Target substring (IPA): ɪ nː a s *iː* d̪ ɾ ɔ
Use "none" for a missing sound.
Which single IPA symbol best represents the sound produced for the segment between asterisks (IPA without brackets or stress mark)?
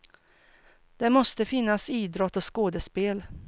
iː